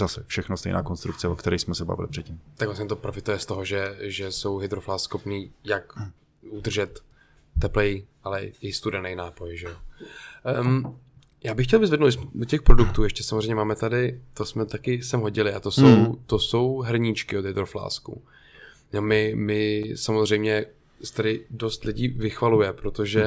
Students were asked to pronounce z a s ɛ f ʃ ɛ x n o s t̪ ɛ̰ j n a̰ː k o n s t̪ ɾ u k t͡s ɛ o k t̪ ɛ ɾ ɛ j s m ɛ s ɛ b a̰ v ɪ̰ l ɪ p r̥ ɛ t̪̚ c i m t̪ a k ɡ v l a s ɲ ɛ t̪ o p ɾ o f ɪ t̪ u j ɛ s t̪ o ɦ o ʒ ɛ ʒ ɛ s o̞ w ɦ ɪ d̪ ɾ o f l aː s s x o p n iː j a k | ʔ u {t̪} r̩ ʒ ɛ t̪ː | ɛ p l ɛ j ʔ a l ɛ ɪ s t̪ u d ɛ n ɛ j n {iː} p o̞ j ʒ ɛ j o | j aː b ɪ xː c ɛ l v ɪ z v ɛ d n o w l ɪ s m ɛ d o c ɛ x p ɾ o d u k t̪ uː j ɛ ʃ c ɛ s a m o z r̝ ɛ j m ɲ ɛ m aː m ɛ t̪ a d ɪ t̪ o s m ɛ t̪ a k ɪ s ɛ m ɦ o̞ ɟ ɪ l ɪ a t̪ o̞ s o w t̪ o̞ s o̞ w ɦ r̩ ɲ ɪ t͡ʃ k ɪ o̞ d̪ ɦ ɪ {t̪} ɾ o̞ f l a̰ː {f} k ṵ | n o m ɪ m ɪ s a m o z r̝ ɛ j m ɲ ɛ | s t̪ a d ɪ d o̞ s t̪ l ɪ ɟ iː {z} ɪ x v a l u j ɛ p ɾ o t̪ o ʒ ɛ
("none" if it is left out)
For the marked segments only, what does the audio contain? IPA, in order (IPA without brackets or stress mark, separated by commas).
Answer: d̪, aː, d̪, s, v